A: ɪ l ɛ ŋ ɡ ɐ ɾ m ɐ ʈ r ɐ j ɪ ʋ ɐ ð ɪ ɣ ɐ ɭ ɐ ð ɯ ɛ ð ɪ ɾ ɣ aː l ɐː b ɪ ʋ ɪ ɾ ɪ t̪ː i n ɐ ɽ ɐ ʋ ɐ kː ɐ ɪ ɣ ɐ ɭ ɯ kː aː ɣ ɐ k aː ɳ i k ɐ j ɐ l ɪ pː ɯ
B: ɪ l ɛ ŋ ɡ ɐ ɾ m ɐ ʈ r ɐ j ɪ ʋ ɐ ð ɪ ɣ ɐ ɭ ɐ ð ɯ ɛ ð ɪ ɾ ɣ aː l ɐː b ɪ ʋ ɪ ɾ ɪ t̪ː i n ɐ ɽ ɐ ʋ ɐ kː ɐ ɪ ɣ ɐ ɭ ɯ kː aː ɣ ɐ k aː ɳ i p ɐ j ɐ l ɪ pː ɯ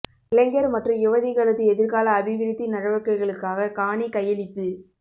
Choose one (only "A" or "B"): A